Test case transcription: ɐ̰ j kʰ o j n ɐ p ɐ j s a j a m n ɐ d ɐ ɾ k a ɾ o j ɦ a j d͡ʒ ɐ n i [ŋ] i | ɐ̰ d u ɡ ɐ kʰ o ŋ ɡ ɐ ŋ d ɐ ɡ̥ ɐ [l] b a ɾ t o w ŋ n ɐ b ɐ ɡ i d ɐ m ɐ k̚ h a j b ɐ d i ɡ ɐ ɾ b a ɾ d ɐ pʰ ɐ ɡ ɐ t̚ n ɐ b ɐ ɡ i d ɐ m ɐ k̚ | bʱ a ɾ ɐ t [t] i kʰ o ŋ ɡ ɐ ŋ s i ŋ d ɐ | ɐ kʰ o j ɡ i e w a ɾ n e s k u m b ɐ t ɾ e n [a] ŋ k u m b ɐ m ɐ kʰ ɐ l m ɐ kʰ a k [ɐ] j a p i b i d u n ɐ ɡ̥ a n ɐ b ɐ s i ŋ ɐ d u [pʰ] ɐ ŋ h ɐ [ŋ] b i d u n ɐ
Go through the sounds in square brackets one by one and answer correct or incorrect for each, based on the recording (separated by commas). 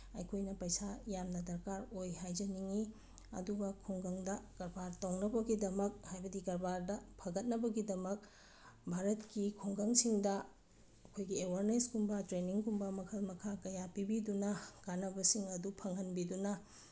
correct, incorrect, incorrect, incorrect, correct, correct, incorrect